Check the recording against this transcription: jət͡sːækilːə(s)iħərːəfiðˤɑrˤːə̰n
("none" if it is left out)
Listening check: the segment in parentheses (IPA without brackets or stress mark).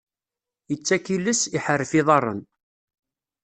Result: s